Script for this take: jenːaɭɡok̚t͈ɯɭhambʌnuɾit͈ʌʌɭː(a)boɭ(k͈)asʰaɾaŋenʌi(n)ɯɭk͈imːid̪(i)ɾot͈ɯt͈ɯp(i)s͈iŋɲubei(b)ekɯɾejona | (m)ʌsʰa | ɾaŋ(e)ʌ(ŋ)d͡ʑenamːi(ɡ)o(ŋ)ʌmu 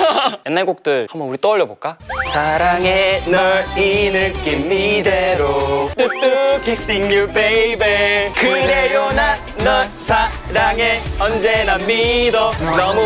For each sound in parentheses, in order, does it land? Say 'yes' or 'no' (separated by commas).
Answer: no, yes, yes, no, yes, yes, no, yes, no, no, no